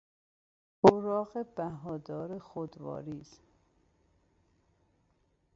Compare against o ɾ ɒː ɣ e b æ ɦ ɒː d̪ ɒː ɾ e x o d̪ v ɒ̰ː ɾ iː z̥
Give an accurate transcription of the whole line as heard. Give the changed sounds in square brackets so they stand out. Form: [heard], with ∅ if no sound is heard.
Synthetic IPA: o ɾ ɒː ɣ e b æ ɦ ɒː d̪ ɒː ɾ e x o d̪ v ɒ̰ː ɾ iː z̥